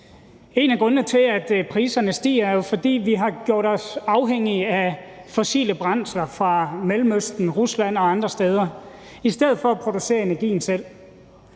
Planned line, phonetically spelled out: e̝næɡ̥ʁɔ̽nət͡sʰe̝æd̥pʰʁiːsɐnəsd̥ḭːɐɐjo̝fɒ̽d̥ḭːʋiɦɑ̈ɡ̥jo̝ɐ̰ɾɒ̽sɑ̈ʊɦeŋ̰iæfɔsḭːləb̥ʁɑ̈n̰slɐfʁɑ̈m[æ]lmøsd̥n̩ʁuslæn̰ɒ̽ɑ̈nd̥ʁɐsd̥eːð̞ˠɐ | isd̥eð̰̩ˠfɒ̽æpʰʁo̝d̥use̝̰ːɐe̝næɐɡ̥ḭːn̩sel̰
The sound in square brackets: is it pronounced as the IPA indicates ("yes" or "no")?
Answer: no